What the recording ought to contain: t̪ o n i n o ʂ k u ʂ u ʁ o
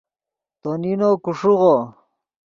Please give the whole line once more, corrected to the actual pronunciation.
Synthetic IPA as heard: t̪ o n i n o k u ʂ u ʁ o